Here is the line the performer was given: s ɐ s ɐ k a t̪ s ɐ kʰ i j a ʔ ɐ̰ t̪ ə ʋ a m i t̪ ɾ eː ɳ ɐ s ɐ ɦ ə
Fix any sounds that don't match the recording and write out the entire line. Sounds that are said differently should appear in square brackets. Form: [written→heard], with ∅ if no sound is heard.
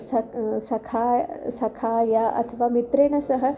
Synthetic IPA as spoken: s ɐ s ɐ [k→kʰ] a [t̪→∅] s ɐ kʰ [i→a] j a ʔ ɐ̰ [t̪→t̪ʰ] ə ʋ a m i t̪ ɾ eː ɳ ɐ s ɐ ɦ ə

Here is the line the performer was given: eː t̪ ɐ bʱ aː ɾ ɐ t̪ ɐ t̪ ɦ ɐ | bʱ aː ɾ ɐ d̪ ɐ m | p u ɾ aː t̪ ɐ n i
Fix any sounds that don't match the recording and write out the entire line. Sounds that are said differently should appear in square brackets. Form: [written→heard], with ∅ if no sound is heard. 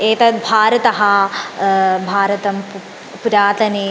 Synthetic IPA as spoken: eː t̪ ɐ bʱ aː ɾ ɐ t̪ ɐ [t̪→∅] ɦ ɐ | bʱ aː ɾ ɐ [d̪→t̪] ɐ m | p u ɾ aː t̪ ɐ n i

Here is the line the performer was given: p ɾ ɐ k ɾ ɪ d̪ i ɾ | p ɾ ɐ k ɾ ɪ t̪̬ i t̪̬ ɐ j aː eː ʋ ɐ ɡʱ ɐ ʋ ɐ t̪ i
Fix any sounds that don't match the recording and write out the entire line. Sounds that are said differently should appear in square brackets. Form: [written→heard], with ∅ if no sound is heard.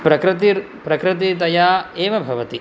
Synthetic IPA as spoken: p ɾ ɐ k ɾ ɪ [d̪→t̪] i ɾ | p ɾ ɐ k ɾ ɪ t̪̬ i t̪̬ ɐ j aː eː ʋ ɐ [ɡʱ→bʱ] ɐ ʋ ɐ t̪ i

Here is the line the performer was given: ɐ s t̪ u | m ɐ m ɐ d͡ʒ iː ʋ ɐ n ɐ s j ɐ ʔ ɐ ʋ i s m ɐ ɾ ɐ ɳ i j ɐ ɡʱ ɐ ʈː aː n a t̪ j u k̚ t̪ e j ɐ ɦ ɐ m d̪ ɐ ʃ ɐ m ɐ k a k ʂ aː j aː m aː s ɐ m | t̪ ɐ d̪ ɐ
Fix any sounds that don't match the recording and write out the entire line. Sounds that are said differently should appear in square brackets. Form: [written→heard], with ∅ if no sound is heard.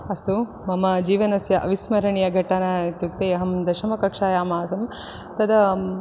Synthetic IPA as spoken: ɐ s t̪ u | m ɐ m ɐ d͡ʒ iː ʋ ɐ n ɐ s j ɐ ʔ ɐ ʋ i s m ɐ ɾ ɐ ɳ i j ɐ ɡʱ ɐ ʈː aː n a t̪ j u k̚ t̪ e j ɐ ɦ ɐ m d̪ ɐ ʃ ɐ m ɐ k [a→ɐ] k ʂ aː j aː m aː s ɐ m | t̪ ɐ d̪ ɐ

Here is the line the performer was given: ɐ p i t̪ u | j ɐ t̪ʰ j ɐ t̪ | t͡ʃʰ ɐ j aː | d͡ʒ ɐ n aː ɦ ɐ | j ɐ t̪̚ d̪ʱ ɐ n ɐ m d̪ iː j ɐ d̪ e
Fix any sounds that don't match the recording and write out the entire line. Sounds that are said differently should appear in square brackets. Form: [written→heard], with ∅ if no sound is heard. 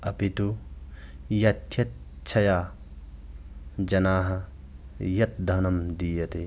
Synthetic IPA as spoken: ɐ p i t̪ u | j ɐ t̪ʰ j ɐ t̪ | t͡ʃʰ ɐ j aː | d͡ʒ ɐ n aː ɦ ɐ | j ɐ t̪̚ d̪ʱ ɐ n ɐ m d̪ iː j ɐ [d̪→t̪] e

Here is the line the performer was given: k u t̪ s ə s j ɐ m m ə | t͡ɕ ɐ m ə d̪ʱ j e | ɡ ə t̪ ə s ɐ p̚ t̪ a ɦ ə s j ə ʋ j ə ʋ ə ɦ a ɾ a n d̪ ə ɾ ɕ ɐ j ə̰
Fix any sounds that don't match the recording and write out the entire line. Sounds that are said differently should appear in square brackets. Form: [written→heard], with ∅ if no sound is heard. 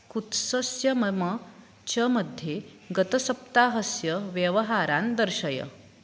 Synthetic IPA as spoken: k u t̪ s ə s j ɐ m m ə | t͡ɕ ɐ m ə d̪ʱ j e | ɡ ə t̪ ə s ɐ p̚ t̪ a ɦ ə s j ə ʋ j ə ʋ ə ɦ a ɾ a n d̪ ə ɾ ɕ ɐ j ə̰

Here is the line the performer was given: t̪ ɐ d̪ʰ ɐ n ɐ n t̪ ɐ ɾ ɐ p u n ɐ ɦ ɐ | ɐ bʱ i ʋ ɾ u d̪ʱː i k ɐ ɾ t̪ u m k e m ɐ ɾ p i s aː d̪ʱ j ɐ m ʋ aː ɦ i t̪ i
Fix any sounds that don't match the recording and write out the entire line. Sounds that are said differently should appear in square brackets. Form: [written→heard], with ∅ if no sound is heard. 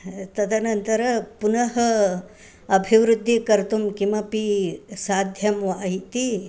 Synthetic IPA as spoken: t̪ ɐ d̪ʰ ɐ n ɐ n t̪ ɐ ɾ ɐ p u n ɐ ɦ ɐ | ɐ bʱ i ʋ ɾ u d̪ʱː i k ɐ ɾ t̪ u m k [e→i] m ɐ [ɾ→∅] p i s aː d̪ʱ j ɐ m ʋ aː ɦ i t̪ i

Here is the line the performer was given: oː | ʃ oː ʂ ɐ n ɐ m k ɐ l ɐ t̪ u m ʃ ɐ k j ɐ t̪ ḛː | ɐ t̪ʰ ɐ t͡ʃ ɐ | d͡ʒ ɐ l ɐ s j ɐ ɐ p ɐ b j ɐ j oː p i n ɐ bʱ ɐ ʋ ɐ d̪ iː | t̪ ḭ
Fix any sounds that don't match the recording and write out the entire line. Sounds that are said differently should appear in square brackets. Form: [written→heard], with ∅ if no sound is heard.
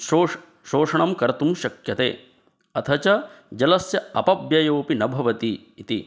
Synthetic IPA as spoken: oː | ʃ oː ʂ ɐ [n→ɳ] ɐ m k ɐ [l→ɾ] ɐ t̪ u m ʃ ɐ k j ɐ t̪ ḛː | ɐ t̪ʰ ɐ t͡ʃ ɐ | d͡ʒ ɐ l ɐ s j ɐ ɐ p ɐ b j ɐ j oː p i n ɐ bʱ ɐ ʋ ɐ [d̪→t̪] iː | t̪ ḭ

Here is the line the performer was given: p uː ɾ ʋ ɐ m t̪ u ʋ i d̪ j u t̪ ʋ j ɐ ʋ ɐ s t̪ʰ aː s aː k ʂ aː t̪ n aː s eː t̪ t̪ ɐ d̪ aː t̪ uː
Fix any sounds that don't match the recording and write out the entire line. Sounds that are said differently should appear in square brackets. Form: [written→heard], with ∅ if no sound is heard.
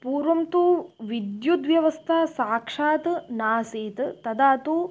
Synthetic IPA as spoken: p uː ɾ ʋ ɐ m t̪ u ʋ i d̪ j u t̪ ʋ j ɐ ʋ ɐ s t̪ʰ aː s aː k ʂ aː t̪ n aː s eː t̪ t̪ ɐ d̪ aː t̪ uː

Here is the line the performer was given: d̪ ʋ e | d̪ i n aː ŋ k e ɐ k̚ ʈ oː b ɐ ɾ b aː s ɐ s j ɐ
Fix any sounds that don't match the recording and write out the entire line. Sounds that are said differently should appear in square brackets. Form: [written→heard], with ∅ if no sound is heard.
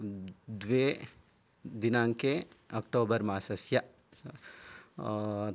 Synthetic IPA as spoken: d̪ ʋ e | d̪ i n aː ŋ k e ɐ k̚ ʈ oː b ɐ ɾ [b→m] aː s ɐ s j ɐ

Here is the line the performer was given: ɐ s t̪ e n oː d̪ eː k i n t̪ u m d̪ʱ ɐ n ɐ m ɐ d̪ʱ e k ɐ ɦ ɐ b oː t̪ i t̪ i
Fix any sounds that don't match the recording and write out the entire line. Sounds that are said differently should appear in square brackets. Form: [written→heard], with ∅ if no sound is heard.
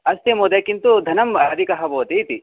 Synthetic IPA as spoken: ɐ s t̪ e [n→m] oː d̪ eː k i n t̪ u [m→∅] d̪ʱ ɐ n ɐ m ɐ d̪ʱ [e→i] k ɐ ɦ ɐ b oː t̪ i t̪ i

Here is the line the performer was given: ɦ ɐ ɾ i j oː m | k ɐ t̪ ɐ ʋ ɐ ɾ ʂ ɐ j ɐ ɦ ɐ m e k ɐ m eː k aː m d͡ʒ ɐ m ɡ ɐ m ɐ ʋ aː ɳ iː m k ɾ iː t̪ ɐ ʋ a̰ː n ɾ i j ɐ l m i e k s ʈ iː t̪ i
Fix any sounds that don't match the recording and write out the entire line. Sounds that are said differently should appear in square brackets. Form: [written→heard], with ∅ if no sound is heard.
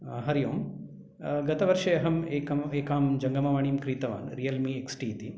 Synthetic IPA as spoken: ɦ ɐ ɾ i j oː m | [k→ɡ] ɐ t̪ ɐ ʋ ɐ ɾ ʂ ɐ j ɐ ɦ ɐ m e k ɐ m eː k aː m d͡ʒ ɐ [m→ŋ] ɡ ɐ m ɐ ʋ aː ɳ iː m k ɾ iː t̪ ɐ ʋ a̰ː n ɾ i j ɐ l m i e k s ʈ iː t̪ i

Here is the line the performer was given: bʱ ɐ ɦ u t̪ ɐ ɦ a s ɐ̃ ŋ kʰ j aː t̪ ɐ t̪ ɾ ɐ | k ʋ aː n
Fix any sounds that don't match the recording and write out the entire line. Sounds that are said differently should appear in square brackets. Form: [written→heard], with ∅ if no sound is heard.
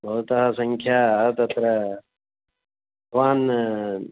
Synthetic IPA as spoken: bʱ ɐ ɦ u t̪ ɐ ɦ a s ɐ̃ ŋ kʰ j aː t̪ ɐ t̪ ɾ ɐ | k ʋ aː n

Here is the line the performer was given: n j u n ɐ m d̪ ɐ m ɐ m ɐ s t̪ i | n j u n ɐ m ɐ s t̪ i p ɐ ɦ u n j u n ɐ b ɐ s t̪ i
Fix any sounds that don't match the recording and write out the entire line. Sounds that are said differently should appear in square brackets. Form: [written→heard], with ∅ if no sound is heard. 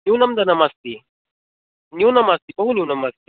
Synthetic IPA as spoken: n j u n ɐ m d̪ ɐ [m→n] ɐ m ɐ s t̪ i | n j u n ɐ m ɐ s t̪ i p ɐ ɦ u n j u n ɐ [b→m] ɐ s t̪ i

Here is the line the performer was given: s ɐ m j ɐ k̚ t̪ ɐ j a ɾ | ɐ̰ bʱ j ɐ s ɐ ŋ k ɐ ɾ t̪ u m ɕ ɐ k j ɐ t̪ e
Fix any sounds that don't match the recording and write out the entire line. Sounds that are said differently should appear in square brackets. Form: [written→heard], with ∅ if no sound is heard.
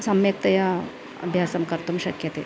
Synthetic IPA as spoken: s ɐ m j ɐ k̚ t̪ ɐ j a [ɾ→∅] | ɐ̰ bʱ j [ɐ→a] s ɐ [ŋ→m] k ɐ ɾ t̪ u m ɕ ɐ k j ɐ t̪ e

